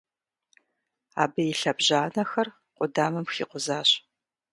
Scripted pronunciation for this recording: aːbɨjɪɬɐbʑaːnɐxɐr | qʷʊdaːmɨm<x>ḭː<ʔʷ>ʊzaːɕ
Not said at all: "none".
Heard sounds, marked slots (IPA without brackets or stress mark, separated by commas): x, qʷ